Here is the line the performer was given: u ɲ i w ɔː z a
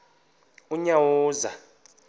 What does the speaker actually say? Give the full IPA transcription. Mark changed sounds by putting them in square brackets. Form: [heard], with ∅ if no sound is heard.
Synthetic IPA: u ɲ [a] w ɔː z a